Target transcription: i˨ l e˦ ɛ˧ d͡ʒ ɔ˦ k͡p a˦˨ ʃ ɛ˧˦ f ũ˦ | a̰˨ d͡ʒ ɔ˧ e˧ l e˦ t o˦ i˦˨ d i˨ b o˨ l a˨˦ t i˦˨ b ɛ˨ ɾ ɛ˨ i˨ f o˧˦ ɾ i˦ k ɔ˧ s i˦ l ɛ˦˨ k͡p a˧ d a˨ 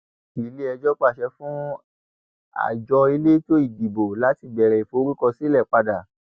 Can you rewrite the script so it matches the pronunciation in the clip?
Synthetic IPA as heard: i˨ l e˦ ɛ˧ d͡ʒ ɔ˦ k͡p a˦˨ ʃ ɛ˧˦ f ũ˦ | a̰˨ d͡ʒ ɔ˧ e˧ l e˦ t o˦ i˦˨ d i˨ b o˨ l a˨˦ t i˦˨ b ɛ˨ ɾ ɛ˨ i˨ f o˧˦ ɾ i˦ k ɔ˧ s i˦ l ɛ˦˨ k͡p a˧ d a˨

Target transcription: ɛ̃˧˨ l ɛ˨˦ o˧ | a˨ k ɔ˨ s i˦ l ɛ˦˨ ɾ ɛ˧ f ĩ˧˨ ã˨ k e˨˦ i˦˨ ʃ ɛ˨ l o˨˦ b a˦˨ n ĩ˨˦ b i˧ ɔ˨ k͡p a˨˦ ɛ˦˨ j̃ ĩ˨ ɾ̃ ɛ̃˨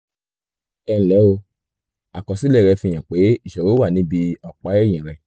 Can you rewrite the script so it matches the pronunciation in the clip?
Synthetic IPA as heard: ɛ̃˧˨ l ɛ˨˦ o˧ | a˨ k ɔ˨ s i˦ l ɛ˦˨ ɾ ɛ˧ f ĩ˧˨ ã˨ k͡p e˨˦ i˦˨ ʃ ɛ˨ ɾ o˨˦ w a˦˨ n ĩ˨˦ b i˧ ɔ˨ k͡p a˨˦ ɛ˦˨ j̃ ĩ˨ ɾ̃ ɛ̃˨

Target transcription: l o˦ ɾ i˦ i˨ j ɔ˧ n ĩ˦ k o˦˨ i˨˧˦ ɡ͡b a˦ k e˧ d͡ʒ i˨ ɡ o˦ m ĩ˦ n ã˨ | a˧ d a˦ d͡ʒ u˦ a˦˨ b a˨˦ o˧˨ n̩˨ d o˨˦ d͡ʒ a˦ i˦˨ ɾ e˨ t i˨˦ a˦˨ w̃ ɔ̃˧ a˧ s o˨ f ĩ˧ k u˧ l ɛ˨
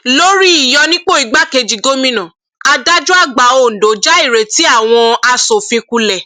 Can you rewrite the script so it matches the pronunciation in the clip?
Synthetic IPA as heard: l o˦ ɾ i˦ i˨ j ɔ˧ n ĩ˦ k͡p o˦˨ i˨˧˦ ɡ͡b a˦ k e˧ d͡ʒ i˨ ɡ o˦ m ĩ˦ n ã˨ | a˧ d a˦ d͡ʒ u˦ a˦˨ ɡ͡b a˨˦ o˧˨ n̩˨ d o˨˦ d͡ʒ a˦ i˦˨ ɾ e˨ t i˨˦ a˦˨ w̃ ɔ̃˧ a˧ s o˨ f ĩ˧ k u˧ l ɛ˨

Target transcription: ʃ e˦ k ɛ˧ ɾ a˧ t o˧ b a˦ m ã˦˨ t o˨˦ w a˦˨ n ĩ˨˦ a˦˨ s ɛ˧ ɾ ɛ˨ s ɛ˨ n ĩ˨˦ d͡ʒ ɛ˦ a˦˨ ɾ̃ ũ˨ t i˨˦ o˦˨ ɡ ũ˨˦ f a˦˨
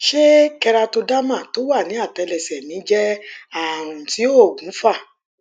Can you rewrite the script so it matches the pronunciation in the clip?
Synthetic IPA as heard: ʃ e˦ k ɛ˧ ɾ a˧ t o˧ d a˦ m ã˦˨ t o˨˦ w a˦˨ n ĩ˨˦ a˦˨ t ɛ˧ l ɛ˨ s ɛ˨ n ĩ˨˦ d͡ʒ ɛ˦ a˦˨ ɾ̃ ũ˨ t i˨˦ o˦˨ ɡ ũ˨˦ f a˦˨

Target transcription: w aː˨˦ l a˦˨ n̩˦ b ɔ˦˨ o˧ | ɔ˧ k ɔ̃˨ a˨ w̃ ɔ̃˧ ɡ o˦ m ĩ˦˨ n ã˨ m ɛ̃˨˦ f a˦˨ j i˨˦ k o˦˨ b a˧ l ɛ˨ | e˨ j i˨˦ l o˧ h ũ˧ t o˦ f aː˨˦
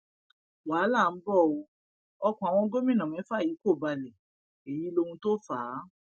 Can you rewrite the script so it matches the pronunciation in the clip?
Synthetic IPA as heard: w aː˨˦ l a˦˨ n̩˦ b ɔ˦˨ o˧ | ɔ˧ k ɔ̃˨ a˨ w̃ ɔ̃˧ ɡ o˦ m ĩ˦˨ n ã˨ m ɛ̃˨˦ f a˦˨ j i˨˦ k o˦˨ b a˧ l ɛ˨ | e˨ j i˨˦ l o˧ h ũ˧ t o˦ f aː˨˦

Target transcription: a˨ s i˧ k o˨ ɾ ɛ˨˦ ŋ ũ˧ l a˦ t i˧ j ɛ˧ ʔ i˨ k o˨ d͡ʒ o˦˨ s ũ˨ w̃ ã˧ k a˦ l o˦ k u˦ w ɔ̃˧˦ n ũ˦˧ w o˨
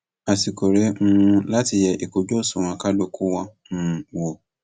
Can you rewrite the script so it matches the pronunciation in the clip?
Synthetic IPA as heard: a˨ s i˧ k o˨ ɾ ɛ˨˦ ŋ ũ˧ l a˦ t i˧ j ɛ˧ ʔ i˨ k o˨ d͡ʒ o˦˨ s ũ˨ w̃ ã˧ k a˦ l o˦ k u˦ w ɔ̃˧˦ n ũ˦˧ w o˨

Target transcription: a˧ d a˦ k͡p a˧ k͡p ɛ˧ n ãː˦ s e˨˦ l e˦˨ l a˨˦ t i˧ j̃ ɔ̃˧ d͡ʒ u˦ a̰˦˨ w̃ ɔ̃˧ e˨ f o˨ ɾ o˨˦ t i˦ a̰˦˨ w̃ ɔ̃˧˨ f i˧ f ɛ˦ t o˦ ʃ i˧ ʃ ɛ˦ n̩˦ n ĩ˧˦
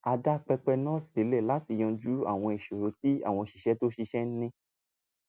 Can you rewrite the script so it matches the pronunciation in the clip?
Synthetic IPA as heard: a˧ d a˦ k͡p ɛ˧ k͡p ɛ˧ n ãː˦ s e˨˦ l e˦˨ l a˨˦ t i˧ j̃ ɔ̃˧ d͡ʒ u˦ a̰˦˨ w̃ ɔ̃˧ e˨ ʃ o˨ ɾ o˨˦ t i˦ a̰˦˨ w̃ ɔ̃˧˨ ʃ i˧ ʃ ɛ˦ t o˦ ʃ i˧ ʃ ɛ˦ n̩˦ n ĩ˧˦

